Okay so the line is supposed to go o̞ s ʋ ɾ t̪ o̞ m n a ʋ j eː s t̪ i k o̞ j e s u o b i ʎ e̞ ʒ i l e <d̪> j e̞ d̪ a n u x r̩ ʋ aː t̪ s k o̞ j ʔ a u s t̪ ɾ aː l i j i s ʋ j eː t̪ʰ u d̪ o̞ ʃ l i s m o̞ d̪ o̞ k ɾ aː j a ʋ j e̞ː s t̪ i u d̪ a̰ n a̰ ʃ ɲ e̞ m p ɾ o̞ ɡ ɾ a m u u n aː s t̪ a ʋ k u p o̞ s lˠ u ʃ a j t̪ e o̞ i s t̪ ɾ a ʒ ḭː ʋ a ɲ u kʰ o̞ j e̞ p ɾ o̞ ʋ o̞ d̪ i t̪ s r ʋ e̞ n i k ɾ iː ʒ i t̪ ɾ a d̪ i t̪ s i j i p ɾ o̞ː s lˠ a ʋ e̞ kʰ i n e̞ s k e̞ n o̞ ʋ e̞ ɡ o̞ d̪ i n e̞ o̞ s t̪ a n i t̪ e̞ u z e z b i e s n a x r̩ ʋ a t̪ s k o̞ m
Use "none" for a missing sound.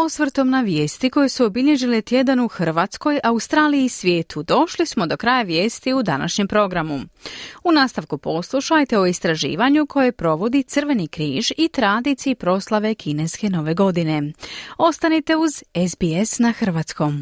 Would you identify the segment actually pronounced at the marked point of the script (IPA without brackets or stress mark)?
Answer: t̪